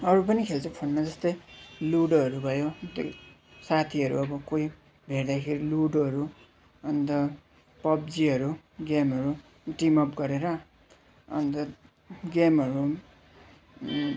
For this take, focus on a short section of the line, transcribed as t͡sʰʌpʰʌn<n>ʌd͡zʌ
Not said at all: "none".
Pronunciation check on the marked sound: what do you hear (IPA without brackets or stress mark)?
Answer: n